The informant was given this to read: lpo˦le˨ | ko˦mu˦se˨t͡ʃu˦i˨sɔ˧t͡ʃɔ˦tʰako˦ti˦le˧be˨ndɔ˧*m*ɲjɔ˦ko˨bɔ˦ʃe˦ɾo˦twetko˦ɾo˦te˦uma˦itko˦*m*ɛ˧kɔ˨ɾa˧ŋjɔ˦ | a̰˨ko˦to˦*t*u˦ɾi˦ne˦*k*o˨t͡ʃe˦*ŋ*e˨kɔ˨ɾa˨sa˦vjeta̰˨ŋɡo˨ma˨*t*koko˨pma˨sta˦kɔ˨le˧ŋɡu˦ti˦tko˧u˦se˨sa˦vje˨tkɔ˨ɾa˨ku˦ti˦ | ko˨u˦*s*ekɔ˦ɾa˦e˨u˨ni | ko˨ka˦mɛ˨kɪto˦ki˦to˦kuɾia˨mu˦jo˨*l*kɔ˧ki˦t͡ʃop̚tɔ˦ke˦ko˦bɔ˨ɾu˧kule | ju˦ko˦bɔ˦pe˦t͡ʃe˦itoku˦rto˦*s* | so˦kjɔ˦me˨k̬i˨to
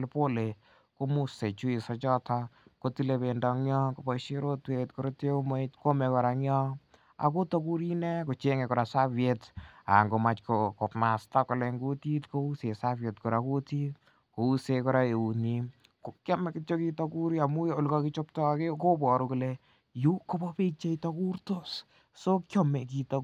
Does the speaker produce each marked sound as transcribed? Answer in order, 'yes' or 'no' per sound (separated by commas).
no, yes, no, yes, yes, no, yes, yes, yes